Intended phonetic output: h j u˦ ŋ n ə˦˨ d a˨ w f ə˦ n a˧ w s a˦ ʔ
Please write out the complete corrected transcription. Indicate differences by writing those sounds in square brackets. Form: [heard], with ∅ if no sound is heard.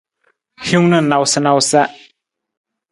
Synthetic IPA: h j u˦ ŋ n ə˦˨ [n] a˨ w [s] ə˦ n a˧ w s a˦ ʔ